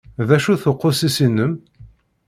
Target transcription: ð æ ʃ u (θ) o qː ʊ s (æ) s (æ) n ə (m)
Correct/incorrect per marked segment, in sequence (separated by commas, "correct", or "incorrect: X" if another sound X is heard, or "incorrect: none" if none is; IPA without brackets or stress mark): correct, incorrect: i, incorrect: i, correct